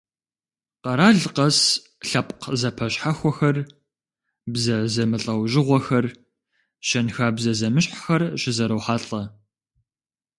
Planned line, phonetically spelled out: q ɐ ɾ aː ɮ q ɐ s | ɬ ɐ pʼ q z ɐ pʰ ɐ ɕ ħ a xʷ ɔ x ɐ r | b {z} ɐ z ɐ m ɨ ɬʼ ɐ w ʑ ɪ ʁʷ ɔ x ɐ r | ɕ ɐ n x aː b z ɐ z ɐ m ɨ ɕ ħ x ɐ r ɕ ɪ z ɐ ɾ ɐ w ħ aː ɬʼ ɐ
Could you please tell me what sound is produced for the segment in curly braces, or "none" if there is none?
z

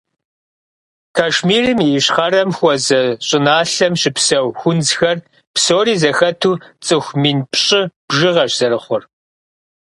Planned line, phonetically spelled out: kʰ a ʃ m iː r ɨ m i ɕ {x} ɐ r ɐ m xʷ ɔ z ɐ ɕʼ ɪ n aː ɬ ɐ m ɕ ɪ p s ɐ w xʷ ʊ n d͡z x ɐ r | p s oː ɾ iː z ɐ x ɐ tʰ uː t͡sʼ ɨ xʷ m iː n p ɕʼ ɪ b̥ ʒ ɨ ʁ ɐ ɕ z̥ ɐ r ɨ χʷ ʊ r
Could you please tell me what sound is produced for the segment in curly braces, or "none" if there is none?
χ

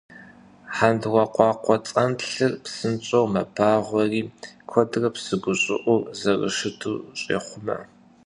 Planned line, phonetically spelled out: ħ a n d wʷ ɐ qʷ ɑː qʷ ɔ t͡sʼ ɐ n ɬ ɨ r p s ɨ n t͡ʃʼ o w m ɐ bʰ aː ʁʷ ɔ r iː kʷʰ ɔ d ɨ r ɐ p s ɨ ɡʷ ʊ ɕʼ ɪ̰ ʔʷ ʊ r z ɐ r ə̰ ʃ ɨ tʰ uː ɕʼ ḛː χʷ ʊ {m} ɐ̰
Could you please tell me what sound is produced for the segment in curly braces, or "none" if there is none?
m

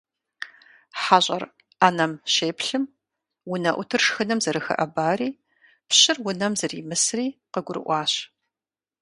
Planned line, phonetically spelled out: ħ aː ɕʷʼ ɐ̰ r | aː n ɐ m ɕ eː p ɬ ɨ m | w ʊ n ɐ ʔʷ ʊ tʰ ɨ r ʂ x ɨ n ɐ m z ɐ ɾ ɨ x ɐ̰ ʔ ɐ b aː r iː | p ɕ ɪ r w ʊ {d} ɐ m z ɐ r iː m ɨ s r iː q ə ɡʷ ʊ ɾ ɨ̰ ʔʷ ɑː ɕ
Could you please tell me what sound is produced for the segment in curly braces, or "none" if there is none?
n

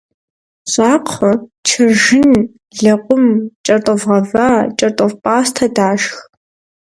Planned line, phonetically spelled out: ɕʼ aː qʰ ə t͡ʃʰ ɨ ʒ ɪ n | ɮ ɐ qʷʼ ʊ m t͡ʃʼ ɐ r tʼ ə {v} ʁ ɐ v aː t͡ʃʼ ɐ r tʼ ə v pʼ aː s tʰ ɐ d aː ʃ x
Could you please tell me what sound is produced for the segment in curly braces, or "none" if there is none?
v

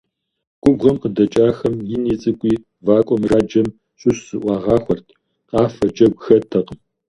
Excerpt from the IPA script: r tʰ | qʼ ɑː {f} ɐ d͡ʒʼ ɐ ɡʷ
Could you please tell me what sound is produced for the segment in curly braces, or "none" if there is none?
f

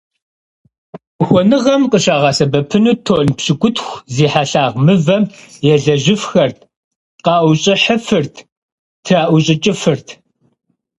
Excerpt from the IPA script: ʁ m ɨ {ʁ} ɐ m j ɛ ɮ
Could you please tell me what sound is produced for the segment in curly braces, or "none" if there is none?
v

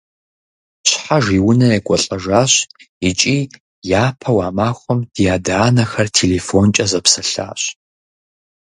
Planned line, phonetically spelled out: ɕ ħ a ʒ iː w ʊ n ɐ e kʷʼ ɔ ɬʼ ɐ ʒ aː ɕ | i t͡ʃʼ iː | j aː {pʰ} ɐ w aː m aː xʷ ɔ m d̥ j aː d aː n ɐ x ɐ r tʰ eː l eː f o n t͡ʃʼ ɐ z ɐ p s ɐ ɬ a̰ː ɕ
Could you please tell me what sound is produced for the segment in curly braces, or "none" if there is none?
pʰ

